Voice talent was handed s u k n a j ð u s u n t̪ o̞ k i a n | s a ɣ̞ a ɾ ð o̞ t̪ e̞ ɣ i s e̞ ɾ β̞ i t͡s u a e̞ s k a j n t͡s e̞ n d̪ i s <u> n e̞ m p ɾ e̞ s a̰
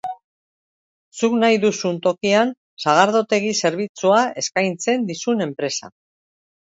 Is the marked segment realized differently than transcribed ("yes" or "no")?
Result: no